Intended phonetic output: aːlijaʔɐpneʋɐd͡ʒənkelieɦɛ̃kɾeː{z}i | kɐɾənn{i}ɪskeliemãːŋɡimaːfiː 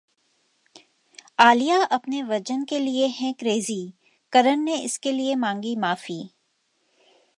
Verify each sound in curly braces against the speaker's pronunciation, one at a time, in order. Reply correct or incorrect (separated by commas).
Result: correct, incorrect